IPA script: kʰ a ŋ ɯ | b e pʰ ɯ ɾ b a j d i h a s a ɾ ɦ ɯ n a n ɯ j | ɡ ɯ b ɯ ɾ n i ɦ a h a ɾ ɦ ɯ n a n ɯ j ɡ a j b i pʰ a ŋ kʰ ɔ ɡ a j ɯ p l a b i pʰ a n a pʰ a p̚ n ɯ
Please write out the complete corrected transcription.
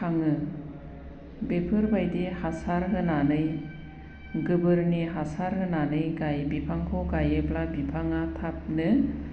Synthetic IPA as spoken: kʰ a ŋ ɯ | b e pʰ ɯ ɾ b a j d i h a s a ɾ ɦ ɯ n a n ɯ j | ɡ ɯ b ɯ ɾ n i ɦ a s a ɾ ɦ ɯ n a n ɯ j ɡ a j b i pʰ a ŋ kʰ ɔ ɡ a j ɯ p l a b i pʰ a ŋ a tʰ a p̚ n ɯ